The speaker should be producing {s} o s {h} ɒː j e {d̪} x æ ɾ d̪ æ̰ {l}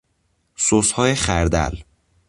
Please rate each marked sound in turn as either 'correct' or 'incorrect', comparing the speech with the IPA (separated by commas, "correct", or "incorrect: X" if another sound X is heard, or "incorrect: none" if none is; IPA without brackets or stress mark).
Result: correct, correct, incorrect: none, correct